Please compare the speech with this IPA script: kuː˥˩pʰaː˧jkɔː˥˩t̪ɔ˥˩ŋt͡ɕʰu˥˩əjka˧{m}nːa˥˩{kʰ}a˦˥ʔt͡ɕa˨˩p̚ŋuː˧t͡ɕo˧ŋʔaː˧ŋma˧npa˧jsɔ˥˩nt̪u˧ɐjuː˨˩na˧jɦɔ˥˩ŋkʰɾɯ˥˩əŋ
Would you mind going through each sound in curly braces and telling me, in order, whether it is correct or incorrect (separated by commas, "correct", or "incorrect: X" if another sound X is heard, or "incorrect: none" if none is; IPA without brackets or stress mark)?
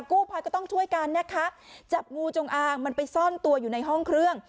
incorrect: none, correct